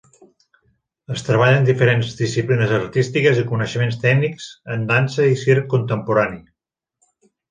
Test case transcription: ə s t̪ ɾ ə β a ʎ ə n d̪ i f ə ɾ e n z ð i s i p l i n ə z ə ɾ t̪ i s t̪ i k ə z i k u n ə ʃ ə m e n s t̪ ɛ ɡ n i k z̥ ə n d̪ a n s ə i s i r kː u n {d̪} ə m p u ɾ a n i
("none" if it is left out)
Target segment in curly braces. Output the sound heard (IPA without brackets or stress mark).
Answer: t̪